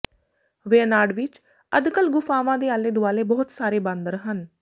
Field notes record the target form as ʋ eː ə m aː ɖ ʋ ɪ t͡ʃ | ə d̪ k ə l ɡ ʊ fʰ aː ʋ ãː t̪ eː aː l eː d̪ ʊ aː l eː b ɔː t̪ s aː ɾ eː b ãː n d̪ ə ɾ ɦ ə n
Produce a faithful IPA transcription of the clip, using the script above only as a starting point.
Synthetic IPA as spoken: ʋ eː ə n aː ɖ ʋ ɪ t͡ʃ | ə d̪ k ə l ɡ ʊ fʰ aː ʋ ãː d̪ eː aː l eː d̪ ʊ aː l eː b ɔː t̪ s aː ɾ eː b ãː n d̪ ə ɾ ɦ ə n